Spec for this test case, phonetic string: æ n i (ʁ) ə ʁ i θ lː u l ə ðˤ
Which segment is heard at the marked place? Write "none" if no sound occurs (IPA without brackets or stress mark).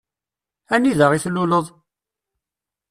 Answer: ð